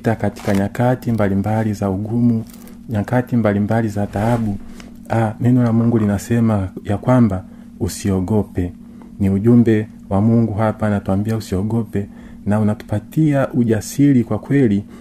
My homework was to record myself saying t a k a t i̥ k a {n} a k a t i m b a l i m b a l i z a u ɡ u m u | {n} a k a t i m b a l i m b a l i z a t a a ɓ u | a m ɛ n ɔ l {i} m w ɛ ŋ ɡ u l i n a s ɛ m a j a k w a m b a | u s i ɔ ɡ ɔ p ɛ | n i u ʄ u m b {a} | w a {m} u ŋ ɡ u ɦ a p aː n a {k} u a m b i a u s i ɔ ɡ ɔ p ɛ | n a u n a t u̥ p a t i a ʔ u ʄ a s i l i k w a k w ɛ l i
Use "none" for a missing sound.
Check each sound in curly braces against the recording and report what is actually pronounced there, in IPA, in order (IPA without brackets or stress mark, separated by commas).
ɲ, ɲ, a, ɛ, m, t